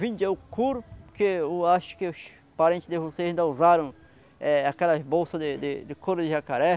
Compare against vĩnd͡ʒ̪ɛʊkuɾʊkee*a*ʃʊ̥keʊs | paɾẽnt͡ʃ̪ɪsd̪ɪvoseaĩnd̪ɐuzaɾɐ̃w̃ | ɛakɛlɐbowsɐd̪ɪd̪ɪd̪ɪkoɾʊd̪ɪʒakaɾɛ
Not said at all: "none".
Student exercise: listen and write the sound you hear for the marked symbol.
a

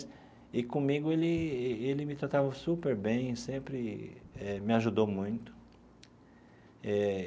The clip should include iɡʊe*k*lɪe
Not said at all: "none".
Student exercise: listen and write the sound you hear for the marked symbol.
none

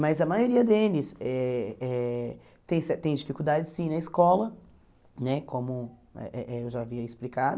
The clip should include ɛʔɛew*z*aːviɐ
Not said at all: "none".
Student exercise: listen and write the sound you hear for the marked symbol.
ʒ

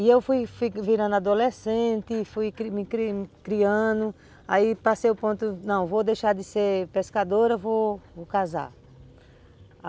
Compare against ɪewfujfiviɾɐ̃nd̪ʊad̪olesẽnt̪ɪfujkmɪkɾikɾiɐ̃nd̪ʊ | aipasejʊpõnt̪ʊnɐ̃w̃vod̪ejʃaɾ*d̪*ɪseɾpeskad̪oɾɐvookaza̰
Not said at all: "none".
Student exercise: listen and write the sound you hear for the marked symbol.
d̪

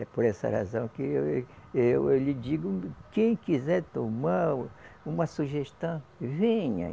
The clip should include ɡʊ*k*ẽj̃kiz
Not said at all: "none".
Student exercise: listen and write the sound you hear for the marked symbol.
k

